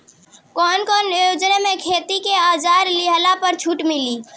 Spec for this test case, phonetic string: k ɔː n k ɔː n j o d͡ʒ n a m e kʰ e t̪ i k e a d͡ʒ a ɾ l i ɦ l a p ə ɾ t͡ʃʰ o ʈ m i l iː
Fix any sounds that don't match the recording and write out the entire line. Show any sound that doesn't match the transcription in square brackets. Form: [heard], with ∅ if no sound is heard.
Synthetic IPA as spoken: k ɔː n k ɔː n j o d͡ʒ n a m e kʰ e t̪ i k e a d͡ʒ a ɾ l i ɦ l a p ə ɾ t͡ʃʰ [u] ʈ m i l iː

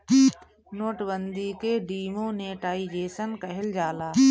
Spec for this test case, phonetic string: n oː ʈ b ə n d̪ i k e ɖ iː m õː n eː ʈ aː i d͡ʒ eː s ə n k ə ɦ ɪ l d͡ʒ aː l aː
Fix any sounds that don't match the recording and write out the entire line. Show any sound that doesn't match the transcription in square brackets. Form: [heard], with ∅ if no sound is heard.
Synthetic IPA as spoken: n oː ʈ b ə n d̪ i k e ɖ iː m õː n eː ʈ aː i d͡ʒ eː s ə n k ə ɦ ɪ l d͡ʒ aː l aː

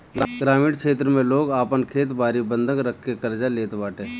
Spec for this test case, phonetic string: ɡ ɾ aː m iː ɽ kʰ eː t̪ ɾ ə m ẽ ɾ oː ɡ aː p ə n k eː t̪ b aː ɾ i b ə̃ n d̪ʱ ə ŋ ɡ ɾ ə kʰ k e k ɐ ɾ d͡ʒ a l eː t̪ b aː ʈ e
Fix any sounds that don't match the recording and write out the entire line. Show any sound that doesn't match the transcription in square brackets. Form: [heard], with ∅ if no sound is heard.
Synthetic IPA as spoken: ɡ ɾ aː m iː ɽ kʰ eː t̪ ɾ ə m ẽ [l] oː ɡ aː p ə n [kʰ] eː t̪ b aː ɾ i b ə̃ n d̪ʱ ə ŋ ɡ ɾ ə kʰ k e k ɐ ɾ d͡ʒ a l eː t̪ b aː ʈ e

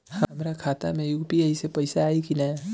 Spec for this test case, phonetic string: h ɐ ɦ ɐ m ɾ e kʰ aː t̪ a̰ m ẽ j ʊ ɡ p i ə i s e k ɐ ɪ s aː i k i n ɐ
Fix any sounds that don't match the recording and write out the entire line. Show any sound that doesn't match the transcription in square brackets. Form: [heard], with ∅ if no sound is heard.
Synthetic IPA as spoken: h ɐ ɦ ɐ m ɾ [a] kʰ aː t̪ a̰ m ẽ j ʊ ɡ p i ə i s e [p] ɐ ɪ s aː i k i n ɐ

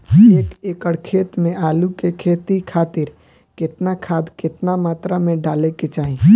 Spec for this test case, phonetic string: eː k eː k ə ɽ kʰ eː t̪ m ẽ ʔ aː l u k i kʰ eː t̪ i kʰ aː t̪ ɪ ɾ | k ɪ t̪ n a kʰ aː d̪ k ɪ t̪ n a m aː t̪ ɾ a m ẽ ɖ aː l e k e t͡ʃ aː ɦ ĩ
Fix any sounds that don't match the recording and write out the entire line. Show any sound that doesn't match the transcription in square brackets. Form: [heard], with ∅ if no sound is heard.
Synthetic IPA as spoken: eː k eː k ə ɽ kʰ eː t̪ m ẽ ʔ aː l u k [e] kʰ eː t̪ i kʰ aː t̪ ɪ ɾ | k ɪ t̪ n a kʰ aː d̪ k ɪ t̪ n a m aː t̪ ɾ a m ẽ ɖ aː l e k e t͡ʃ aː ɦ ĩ

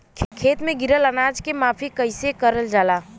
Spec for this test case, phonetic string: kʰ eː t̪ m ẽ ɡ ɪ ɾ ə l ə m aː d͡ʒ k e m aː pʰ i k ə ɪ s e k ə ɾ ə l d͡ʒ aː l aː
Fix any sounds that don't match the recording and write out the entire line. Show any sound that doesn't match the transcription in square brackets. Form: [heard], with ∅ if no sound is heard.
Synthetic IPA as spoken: kʰ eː t̪ m ẽ ɡ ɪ ɾ ə l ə [n] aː d͡ʒ k e m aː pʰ i k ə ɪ s e k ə ɾ ə l d͡ʒ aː l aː

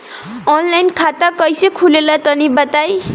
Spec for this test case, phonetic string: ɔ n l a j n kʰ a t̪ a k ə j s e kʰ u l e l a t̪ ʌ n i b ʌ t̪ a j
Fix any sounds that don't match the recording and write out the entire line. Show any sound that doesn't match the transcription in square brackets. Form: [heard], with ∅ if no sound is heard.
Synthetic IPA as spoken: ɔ n l a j n kʰ a t̪ a k [ʌ] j s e kʰ u l e l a t̪ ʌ n i b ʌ t̪ a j

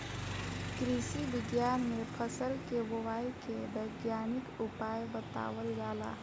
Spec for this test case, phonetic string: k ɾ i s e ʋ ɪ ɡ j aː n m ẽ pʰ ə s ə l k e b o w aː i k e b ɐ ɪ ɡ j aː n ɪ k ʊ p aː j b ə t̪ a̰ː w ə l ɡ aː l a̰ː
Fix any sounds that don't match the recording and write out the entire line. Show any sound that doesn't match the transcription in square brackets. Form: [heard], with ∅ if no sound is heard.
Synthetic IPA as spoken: k ɾ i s [i] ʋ ɪ ɡ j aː n m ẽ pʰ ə s ə l k e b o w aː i k e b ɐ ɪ ɡ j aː n ɪ k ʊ p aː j b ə t̪ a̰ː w ə l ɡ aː l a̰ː

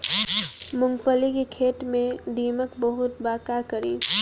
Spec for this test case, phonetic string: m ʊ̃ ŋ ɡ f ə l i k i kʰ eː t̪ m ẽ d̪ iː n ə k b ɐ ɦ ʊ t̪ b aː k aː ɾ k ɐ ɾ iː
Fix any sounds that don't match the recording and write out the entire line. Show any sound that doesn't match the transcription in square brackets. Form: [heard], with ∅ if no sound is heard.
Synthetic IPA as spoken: m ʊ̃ ŋ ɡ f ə l i k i kʰ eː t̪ m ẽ d̪ iː [m] ə k b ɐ ɦ ʊ t̪ b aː k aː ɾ k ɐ ɾ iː

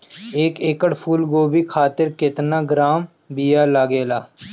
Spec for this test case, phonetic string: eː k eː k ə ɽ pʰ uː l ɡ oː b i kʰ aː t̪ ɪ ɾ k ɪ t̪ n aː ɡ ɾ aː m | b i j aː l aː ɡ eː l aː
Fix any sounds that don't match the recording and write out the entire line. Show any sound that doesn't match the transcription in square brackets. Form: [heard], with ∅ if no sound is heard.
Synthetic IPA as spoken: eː k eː k ə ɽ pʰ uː l ɡ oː b i kʰ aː t̪ ɪ ɾ k ɪ t̪ n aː ɡ ɾ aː m | b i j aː l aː ɡ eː l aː

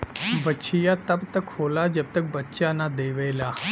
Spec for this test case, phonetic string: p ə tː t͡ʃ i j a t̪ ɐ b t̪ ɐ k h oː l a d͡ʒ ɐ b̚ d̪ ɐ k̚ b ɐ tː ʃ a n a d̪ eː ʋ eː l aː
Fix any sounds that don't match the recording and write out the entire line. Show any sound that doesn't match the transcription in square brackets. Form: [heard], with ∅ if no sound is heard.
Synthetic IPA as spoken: [b] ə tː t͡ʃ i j a t̪ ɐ b t̪ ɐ k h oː l a d͡ʒ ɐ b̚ [t̪] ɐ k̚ b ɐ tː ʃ a n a d̪ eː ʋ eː l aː

